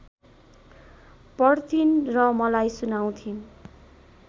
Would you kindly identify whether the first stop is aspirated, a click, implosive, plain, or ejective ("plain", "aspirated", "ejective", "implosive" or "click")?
plain